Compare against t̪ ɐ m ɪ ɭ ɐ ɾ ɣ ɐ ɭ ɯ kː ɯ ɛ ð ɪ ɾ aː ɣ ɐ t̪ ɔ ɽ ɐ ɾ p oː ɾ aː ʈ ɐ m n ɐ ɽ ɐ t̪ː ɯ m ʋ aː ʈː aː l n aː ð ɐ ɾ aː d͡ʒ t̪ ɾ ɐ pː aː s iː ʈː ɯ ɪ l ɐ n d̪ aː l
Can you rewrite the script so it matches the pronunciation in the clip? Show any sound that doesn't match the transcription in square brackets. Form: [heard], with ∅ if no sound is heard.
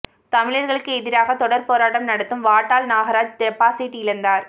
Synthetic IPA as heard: t̪ ɐ m ɪ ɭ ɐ ɾ ɣ ɐ ɭ ɯ kː ɯ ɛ ð ɪ ɾ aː ɣ ɐ t̪ ɔ ɽ ɐ ɾ p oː ɾ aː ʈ ɐ m n ɐ ɽ ɐ t̪ː ɯ m ʋ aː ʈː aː l n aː [ɣ] ɐ ɾ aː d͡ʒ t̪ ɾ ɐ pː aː s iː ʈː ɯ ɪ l ɐ n d̪ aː [ɾ]